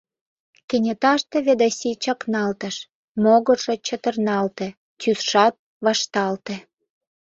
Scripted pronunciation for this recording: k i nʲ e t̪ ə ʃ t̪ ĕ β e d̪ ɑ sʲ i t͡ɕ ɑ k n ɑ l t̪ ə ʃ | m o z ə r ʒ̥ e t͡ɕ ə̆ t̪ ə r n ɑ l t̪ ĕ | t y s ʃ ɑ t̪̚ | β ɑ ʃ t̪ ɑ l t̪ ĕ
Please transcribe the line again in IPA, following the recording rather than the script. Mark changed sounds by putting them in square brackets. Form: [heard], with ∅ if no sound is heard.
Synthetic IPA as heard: k [e] nʲ e t̪ [ɑ] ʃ t̪ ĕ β e d̪ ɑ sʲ i t͡ɕ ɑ k n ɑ l t̪ ə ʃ | m o [ɣ] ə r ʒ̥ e t͡ɕ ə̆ t̪ ə r n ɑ l t̪ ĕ | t y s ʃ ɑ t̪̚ | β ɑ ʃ t̪ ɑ l t̪ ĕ

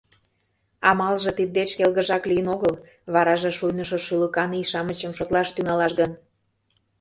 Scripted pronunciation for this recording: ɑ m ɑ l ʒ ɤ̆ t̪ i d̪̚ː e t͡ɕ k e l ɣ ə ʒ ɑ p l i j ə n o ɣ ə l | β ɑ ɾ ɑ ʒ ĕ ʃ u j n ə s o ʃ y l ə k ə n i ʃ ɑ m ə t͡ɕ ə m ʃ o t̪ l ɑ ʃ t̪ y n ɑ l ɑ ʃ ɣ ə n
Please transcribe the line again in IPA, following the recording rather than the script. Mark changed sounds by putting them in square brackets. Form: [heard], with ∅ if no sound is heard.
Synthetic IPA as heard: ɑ m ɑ l ʒ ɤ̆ t̪ i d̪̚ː e t͡ɕ k e l ɣ ə ʒ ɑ [k] l i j ə n o ɣ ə l | β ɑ ɾ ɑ ʒ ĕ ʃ u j n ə [ʃ] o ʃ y l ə k [ɑ] n i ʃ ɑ m ə t͡ɕ ə m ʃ o t̪ l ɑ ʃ t̪ y [ŋ] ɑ l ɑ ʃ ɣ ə n

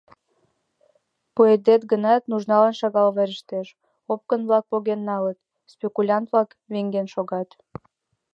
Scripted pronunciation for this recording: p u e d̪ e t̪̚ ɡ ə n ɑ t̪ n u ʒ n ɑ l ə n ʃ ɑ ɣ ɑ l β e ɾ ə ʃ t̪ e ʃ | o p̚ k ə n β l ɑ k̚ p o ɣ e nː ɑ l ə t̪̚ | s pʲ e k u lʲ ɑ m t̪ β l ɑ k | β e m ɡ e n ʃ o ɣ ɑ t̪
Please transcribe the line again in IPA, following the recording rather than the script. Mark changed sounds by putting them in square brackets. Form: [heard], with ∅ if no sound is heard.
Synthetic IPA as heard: p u e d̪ e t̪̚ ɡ ə n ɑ t̪ n u ʒ n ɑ l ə n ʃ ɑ ɣ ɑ l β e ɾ ə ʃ t̪ e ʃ | o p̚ k ə n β l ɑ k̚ p o ɣ e nː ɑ l ə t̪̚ | s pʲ e k u lʲ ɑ [n] t̪ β l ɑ k | β e [ŋ] ɡ e n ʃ o ɣ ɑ t̪

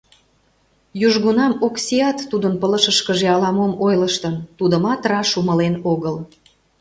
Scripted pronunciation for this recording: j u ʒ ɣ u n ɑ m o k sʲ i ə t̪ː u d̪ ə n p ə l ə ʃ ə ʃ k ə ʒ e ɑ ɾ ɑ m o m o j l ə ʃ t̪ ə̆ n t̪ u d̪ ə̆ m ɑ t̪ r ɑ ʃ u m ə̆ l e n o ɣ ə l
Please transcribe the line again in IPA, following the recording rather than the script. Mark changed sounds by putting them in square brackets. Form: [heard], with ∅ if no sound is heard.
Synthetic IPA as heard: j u ʒ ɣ u n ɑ m o k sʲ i [ɑ] t̪ː u d̪ ə n p ə l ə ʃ ə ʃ k ə ʒ e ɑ [l] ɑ m o m o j l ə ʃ t̪ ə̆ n t̪ u d̪ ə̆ m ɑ t̪ r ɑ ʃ u m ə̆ l e n o ɣ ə l

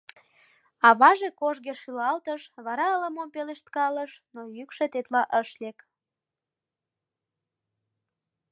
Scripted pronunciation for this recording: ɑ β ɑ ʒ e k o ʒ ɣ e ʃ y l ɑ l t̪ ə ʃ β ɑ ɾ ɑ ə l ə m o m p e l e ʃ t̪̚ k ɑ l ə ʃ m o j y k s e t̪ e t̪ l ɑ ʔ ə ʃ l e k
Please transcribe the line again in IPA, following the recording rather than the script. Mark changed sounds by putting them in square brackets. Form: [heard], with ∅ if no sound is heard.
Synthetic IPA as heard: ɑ β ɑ ʒ e k o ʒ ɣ e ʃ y l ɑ l t̪ ə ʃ β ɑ ɾ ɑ ə l ə m o m p e l e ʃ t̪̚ k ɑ l ə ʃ [n] o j y k [ʃ] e t̪ e t̪ l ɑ ʔ ə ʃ l e k

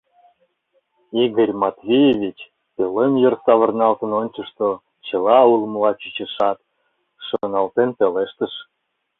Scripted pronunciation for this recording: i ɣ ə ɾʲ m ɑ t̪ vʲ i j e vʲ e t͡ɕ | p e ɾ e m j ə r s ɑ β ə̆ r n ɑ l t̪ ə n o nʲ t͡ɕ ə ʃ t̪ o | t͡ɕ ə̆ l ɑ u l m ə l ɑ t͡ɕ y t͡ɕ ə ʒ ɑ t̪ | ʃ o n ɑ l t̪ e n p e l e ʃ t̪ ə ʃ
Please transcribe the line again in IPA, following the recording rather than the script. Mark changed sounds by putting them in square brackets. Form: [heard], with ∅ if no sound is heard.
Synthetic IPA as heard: i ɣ ə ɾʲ m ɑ t̪ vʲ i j e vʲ [i] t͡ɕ | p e [l] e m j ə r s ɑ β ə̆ r n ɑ l t̪ ə n o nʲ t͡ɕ ə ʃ t̪ o | t͡ɕ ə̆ l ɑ u l m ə l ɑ t͡ɕ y t͡ɕ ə [ʃ] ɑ t̪ | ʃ o n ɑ l t̪ e n p e l e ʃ t̪ ə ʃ

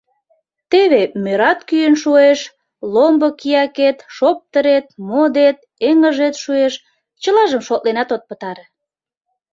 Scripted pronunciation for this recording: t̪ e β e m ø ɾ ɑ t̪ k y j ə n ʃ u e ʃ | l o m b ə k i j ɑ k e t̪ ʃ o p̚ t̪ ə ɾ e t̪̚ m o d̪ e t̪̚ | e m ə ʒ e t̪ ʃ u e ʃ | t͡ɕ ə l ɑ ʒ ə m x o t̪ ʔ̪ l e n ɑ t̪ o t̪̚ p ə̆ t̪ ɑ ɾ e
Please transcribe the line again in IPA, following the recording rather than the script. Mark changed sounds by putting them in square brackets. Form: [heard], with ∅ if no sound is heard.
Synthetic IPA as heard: t̪ e β e m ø ɾ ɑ t̪ k y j ə n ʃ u e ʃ | l o m b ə k i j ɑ k e t̪ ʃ o p̚ t̪ ə ɾ e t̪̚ m o d̪ e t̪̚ | e [ŋ] ə ʒ e t̪ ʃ u e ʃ | t͡ɕ ə l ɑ ʒ ə m [ʃ] o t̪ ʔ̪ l e n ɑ t̪ o t̪̚ p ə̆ t̪ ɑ ɾ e

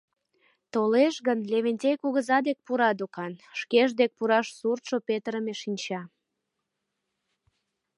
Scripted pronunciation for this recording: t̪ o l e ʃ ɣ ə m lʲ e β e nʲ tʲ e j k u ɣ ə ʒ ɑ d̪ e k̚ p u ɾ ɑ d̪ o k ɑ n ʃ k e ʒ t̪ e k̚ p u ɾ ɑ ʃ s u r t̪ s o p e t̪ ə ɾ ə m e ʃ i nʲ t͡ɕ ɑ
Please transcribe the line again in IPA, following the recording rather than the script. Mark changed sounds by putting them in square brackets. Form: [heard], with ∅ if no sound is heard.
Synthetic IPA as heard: t̪ o l e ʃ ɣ ə [n] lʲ e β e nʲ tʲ e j k u ɣ ə [z] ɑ d̪ e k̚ p u ɾ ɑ d̪ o k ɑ n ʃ k e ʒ [d̪] e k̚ p u ɾ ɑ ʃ s u r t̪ [ʃ] o p e t̪ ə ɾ ə m e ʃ i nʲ t͡ɕ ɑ

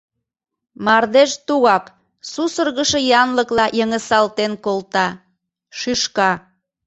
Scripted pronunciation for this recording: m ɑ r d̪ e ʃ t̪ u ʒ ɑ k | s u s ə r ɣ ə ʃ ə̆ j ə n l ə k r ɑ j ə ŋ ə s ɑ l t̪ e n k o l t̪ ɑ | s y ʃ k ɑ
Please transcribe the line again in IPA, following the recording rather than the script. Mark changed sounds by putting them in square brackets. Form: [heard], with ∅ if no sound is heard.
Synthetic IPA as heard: m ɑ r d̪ e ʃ t̪ u [ɣ] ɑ k | s u s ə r ɣ ə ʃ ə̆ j [ɑ] n l ə k [l] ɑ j ə ŋ ə s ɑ l t̪ e n k o l t̪ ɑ | [ʃ] y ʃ k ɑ

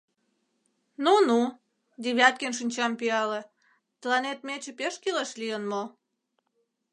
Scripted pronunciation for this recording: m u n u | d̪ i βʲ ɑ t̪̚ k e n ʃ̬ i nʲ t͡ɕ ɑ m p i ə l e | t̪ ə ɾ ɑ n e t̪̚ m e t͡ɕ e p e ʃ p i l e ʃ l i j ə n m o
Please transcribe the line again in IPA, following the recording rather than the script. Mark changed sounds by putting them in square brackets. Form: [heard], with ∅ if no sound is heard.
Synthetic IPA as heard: [n] u n u | d̪ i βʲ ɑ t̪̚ k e n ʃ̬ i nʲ t͡ɕ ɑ m p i [ɑ] l e | t̪ ə [l] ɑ n e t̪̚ m e t͡ɕ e p e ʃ [k] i l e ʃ l i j ə n m o

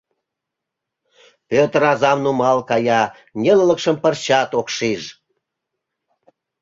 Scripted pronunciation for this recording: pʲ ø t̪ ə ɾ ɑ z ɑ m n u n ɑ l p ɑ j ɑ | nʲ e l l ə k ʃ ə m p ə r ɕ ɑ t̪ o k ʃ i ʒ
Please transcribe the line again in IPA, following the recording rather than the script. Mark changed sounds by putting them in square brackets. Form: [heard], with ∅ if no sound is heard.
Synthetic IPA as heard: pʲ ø t̪ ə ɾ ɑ z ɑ m n u [m] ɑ l [k] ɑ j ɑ | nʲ e l l ə k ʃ ə m p ə r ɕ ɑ t̪ o k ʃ i ʒ

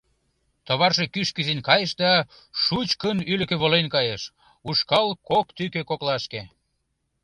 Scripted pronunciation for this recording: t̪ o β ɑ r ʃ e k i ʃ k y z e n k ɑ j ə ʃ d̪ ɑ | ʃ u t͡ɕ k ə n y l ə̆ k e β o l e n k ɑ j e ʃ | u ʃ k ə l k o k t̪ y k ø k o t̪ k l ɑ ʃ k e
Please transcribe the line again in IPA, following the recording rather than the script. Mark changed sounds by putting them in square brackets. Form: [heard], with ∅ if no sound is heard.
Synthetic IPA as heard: t̪ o β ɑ r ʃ e k [y] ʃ k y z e n k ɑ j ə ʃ d̪ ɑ | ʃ u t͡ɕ k ə n y l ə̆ k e β o l e n k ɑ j e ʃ | u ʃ k [ɑ] l k o k t̪ y k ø k o [∅] k l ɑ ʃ k e

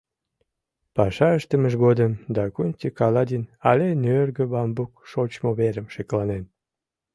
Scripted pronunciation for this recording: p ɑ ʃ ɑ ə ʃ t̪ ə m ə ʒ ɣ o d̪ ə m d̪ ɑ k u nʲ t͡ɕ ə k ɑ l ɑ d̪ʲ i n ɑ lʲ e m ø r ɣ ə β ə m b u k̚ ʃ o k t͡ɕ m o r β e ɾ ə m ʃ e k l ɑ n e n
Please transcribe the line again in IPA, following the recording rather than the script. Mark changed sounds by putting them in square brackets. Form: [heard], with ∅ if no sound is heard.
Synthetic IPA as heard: p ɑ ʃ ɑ ə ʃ t̪ ə m ə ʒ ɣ o d̪ ə m d̪ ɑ k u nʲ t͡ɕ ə k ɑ l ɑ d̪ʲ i n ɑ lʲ e [n] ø r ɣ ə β [ɑ] m b u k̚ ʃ o [∅] t͡ɕ m o [∅] β e ɾ ə m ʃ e k l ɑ n e n

